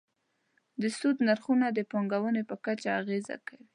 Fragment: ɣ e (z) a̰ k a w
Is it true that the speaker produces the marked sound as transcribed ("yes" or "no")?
yes